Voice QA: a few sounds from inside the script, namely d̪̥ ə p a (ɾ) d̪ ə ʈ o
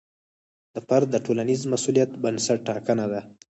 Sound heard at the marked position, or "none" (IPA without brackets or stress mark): ɾ